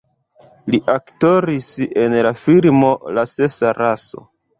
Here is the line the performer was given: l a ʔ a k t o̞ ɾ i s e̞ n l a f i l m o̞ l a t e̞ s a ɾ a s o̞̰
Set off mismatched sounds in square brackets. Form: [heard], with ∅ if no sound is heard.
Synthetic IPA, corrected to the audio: l [i] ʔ a k t o̞ ɾ i s e̞ n l a f i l m o̞ l a [s] e̞ s a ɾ a s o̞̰